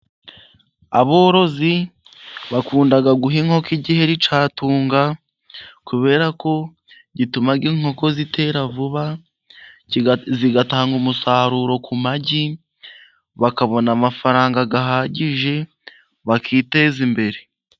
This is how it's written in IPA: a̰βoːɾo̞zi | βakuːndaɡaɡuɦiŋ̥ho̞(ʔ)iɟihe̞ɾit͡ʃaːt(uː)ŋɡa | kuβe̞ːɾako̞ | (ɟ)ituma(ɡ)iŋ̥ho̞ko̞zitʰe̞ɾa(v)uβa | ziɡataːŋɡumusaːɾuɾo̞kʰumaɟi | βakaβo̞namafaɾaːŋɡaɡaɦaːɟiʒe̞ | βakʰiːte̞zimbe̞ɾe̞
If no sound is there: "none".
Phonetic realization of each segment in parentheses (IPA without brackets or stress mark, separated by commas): k, uː, ɟ, ɡ, v